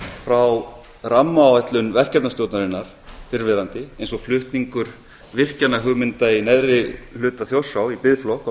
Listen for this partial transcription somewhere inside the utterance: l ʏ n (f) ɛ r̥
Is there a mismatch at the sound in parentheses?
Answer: yes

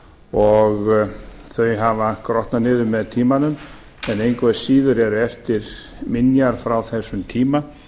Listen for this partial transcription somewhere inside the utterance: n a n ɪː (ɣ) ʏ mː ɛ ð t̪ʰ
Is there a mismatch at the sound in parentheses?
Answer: yes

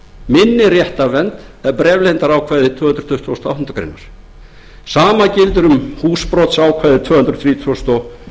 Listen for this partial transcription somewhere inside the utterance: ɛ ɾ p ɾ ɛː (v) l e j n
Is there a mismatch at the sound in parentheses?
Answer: no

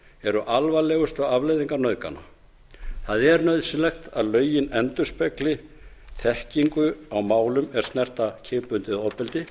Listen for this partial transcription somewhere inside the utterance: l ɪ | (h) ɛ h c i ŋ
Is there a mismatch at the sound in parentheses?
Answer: yes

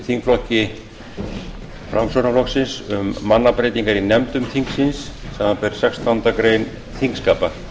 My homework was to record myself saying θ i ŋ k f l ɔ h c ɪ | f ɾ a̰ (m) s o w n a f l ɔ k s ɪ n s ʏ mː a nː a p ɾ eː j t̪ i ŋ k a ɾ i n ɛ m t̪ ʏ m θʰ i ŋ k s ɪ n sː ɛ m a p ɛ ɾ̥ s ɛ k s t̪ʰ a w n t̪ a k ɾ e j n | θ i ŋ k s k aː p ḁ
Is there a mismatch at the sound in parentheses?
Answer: no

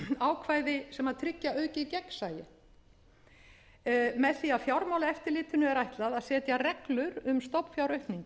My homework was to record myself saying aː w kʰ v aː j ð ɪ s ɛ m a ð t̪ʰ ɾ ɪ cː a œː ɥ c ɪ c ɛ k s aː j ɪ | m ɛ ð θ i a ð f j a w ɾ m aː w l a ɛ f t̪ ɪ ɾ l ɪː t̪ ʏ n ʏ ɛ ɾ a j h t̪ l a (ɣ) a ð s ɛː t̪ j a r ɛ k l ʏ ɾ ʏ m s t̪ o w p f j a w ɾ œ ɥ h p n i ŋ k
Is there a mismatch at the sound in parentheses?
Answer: yes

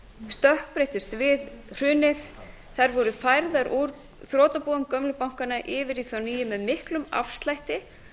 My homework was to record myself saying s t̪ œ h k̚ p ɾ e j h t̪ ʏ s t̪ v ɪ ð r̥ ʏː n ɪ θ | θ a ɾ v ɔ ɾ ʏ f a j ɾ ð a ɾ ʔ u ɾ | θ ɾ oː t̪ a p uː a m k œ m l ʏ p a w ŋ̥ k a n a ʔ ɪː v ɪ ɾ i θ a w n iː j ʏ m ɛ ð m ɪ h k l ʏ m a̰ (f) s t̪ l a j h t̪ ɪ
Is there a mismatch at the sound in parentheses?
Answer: no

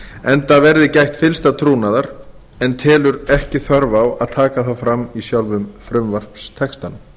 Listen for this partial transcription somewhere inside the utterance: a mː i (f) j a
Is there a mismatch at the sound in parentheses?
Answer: yes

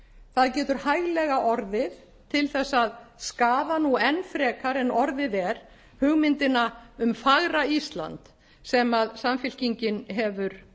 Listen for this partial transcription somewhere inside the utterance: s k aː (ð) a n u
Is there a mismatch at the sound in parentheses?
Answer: no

